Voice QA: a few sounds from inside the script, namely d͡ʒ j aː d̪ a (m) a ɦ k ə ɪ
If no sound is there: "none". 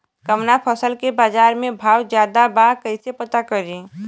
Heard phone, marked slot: b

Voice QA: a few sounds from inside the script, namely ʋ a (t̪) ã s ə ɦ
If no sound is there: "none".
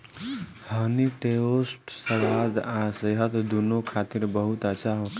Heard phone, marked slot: d̪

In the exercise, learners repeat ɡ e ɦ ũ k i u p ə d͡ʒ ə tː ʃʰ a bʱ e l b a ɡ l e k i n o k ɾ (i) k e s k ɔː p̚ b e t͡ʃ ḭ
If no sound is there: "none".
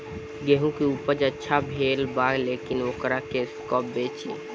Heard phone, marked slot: a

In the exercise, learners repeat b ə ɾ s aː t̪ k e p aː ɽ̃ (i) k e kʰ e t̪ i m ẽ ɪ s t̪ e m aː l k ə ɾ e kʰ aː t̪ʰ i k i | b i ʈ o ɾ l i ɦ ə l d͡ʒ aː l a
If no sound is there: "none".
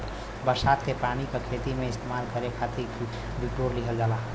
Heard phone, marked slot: i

